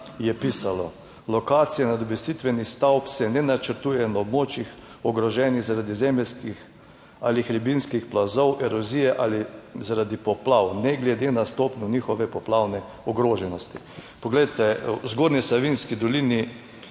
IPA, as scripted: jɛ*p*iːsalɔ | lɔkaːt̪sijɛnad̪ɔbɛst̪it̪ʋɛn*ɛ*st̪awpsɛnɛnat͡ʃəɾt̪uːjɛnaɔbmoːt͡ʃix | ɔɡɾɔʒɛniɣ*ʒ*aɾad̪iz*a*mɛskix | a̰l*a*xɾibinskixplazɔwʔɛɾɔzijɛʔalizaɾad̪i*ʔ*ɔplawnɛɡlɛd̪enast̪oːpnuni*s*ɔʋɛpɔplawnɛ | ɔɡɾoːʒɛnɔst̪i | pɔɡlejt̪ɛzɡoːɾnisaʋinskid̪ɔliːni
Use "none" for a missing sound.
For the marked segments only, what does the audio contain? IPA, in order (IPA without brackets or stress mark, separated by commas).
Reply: p, i, z, ɛ, i, p, x